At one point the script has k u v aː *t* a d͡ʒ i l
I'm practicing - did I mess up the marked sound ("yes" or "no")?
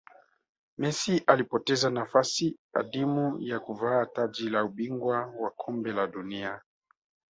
no